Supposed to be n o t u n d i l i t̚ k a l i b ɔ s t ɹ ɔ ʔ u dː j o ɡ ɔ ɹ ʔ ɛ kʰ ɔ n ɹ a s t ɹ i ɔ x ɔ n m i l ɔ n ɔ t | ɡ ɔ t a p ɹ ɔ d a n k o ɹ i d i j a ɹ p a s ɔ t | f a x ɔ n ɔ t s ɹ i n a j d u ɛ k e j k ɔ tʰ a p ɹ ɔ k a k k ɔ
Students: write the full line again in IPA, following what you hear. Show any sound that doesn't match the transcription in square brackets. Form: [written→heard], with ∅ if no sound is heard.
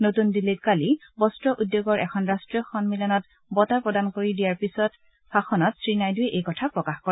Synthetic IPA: n o t u n d i l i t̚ k a l i b ɔ s t ɹ ɔ ʔ u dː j o ɡ ɔ ɹ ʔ ɛ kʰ ɔ n ɹ a s t ɹ i ɔ x ɔ n m i l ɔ n ɔ t | [ɡ→b] ɔ t a p ɹ ɔ d a n k o ɹ i d i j a ɹ p [a→i] s ɔ t | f a x ɔ n ɔ t s ɹ i n a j d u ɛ [k→ʔ] e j k ɔ tʰ a p ɹ ɔ k a [k→x] k ɔ